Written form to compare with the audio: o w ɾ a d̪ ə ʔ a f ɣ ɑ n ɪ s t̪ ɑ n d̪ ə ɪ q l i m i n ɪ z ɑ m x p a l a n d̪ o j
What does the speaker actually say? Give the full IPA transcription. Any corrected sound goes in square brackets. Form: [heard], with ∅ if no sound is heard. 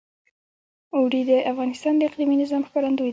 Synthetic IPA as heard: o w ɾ [i] d̪ ə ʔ a f ɣ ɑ n ɪ s t̪ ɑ n d̪ ə ɪ q l i m i n ɪ z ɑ m x p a [ɾ] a n d̪ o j